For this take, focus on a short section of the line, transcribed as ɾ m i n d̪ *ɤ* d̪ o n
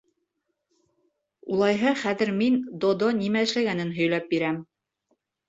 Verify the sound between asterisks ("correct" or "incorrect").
incorrect